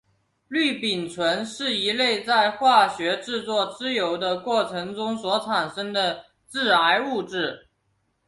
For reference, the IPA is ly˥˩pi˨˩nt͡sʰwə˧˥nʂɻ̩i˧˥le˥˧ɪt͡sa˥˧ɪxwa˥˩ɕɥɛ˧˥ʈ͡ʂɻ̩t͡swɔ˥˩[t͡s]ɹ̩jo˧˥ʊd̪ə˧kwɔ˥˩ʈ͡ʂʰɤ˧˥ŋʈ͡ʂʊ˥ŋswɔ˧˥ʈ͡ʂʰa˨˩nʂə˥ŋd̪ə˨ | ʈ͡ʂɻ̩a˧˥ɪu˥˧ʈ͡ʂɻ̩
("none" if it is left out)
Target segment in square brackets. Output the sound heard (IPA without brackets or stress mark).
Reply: t͡s